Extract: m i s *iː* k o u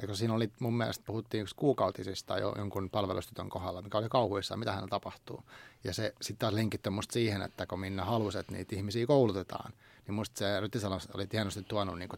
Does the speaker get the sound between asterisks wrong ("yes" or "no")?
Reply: no